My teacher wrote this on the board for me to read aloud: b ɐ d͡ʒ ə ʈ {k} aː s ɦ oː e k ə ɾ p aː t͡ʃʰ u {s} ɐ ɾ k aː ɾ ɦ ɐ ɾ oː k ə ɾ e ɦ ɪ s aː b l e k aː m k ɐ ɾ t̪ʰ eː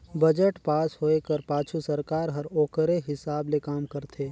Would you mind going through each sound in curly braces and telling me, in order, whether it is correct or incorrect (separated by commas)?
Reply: incorrect, correct